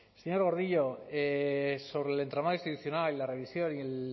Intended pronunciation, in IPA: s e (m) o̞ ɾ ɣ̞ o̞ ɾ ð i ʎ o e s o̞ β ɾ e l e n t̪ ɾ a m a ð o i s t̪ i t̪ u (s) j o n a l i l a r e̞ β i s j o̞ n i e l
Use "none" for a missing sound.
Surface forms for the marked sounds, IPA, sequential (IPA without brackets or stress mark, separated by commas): ɲ, θ